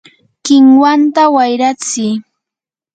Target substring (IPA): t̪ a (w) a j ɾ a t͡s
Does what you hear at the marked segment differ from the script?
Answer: no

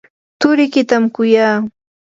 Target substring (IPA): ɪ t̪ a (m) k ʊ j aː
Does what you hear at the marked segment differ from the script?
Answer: no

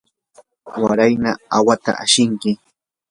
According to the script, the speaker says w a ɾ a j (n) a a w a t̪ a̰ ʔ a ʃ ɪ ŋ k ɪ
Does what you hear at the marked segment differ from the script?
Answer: no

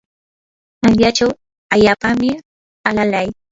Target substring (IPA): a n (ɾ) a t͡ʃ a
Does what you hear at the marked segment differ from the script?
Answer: yes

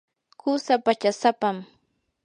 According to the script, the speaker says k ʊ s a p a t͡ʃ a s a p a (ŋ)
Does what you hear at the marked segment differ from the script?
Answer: yes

